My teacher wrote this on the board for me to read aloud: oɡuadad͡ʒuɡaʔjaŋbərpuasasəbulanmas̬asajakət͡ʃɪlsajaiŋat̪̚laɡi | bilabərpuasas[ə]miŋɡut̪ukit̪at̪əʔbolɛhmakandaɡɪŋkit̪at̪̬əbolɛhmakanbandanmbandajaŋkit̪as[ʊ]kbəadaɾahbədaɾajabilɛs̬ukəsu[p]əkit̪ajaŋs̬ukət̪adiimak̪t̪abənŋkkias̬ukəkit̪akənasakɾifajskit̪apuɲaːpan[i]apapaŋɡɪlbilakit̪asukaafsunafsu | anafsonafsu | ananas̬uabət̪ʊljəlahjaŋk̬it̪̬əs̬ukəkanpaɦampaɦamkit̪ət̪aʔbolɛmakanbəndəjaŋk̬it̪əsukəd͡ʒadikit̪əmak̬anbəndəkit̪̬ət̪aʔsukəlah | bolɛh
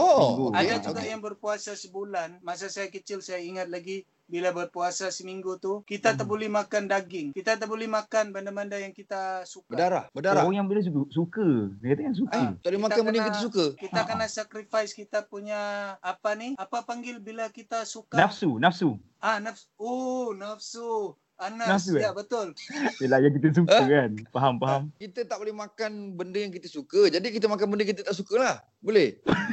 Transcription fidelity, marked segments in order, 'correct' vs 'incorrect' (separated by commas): correct, incorrect, incorrect, correct